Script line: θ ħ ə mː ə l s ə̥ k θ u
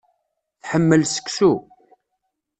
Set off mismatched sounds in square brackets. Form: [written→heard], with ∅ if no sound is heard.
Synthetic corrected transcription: θ ħ ə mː ə l s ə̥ k [θ→s] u